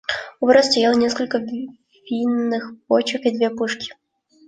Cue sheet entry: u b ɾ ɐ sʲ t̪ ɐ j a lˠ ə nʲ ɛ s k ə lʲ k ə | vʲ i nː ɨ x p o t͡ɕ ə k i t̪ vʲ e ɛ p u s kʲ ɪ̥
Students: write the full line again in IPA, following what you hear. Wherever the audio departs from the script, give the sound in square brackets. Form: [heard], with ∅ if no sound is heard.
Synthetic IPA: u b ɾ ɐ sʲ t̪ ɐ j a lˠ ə nʲ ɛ s k ə lʲ k ə | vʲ i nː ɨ x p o t͡ɕ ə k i [d̪] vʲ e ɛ p u [ʂ] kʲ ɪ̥

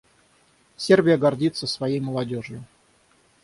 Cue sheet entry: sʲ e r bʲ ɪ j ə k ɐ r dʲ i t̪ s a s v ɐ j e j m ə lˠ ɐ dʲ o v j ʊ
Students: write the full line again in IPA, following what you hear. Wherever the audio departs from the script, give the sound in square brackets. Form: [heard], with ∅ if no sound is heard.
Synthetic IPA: sʲ e r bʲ ɪ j ə [ɡ] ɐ r dʲ i t̪ s [ə] s v ɐ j e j m ə lˠ ɐ dʲ o [ʐ] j ʊ

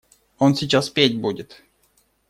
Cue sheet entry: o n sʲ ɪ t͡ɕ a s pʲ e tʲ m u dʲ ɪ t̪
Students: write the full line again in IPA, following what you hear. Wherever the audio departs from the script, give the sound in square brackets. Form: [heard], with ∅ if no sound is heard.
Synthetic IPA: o n sʲ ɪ t͡ɕ a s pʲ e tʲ [b] u dʲ ɪ t̪

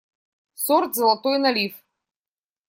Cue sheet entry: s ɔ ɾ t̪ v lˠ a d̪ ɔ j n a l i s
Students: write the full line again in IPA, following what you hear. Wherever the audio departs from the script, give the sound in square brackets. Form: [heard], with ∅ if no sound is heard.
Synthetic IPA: s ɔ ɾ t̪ [z] lˠ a [t̪] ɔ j n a l i [f]

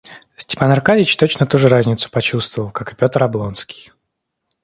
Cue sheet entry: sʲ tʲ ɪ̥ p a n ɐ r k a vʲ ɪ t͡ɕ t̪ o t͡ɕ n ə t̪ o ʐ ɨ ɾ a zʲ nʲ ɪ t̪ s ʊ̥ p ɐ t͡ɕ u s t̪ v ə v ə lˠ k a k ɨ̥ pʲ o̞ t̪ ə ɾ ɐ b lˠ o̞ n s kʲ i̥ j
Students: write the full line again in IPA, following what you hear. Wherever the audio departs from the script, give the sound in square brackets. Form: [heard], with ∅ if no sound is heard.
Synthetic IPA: sʲ tʲ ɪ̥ p a n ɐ r k a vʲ ɪ t͡ɕ t̪ o t͡ɕ n ə t̪ [u] ʐ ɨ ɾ a zʲ nʲ ɪ t̪ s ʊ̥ p ɐ t͡ɕ u s t̪ v ə v ə lˠ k a k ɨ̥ pʲ o̞ t̪ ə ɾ ɐ b lˠ o̞ n s kʲ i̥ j

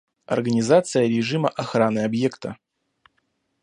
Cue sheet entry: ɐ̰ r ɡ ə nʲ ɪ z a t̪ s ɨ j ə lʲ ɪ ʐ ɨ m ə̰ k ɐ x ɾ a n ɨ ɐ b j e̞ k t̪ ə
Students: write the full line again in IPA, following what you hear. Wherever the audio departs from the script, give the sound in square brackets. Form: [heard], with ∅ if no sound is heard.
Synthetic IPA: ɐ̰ r ɡ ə nʲ ɪ z a t̪ s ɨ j ə [ɾʲ] ɪ ʐ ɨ m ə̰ [ʔ] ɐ x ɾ a n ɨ ɐ b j e̞ k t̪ ə

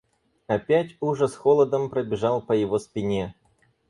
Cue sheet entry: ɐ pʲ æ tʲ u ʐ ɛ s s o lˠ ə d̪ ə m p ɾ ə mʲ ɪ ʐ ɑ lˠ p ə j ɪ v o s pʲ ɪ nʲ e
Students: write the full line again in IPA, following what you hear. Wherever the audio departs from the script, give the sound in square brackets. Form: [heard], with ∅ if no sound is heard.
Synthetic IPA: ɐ pʲ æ tʲ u ʐ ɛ s [x] o lˠ ə d̪ ə m p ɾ ə [bʲ] ɪ ʐ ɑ lˠ p ə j ɪ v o s pʲ ɪ nʲ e

